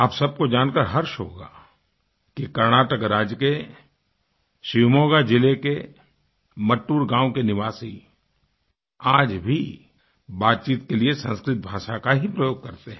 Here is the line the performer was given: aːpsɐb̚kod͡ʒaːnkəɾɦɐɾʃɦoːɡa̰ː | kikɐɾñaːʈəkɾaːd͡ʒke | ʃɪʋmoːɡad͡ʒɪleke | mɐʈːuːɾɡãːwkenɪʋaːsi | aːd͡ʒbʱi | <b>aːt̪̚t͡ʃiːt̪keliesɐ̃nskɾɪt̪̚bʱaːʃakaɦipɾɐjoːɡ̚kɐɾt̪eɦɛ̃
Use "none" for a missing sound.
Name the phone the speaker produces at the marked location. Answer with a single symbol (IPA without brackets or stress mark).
b